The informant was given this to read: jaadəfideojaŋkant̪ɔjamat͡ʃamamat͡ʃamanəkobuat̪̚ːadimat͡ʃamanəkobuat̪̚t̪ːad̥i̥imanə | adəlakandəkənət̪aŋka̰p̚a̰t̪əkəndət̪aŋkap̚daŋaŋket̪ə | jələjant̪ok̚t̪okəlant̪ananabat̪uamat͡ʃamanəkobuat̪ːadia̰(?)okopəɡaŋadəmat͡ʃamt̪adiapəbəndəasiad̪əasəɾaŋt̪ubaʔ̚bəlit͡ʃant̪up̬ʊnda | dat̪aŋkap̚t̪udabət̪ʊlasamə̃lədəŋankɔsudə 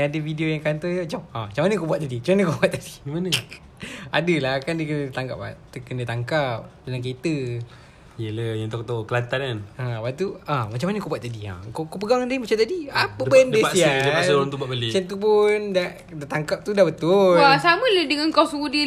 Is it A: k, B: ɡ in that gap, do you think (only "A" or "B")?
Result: A